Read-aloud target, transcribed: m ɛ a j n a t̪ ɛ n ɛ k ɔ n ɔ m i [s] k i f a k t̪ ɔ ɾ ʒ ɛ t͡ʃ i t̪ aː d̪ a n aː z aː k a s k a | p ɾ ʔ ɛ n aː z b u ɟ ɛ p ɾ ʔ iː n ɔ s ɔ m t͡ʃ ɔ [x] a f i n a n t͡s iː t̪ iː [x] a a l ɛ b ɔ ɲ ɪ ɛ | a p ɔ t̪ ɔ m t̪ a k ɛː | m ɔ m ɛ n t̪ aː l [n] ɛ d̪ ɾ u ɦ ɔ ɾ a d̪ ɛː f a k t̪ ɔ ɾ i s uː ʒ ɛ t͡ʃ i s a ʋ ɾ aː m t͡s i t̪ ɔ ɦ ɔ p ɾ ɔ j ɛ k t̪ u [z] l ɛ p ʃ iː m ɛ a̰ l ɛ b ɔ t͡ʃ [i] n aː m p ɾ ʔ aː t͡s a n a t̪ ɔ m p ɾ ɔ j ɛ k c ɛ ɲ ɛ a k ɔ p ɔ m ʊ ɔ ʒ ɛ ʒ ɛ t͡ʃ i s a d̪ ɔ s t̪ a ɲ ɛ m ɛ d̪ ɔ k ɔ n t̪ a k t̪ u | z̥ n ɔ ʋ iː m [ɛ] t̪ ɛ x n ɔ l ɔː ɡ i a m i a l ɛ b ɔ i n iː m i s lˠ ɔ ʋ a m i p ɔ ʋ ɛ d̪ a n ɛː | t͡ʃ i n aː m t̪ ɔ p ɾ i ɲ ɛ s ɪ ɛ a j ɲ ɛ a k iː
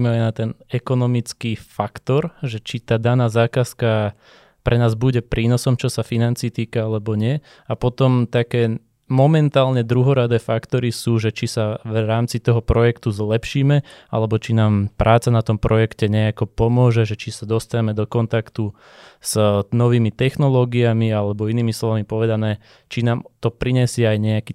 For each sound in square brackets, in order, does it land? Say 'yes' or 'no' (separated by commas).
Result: no, no, no, no, yes, yes, no